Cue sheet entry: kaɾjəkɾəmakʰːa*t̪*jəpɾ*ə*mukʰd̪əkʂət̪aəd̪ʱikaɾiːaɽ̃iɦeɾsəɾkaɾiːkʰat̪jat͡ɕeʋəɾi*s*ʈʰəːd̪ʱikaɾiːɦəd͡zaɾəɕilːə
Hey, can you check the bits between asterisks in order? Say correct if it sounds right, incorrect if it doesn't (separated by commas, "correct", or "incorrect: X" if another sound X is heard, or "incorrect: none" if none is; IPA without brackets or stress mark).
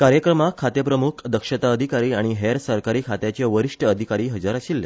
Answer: correct, correct, incorrect: ʂ